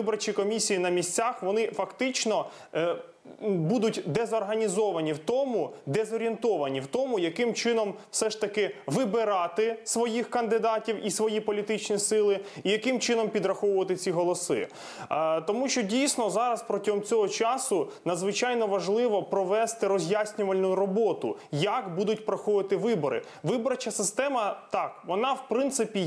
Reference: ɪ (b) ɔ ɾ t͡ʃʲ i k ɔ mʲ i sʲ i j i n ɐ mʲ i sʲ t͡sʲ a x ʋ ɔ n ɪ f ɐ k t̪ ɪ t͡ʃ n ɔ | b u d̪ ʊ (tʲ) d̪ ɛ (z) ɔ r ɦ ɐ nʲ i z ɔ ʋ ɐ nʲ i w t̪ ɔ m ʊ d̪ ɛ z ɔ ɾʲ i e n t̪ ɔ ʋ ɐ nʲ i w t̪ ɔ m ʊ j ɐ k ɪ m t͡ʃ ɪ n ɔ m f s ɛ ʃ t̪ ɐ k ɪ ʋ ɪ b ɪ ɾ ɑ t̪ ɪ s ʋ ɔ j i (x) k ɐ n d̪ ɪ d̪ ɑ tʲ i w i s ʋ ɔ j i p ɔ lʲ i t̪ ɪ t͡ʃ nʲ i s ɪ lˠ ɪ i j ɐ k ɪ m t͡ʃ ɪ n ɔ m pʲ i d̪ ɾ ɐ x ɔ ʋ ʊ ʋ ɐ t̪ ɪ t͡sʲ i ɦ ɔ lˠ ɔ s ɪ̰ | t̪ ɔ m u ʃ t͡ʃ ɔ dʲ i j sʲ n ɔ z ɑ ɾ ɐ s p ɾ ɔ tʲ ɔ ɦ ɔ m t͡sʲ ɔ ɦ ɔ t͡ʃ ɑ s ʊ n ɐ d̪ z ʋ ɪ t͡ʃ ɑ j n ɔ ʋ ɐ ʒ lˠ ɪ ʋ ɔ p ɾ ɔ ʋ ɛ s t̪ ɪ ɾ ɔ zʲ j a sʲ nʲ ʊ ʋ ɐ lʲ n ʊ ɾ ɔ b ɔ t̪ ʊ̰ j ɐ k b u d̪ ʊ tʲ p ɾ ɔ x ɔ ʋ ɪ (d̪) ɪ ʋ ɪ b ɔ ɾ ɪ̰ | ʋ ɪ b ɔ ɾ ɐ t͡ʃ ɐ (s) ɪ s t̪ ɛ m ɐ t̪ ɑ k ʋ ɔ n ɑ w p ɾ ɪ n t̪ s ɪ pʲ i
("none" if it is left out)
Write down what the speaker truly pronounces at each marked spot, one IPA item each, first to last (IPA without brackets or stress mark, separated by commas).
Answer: b, tʲ, z, x, t̪, s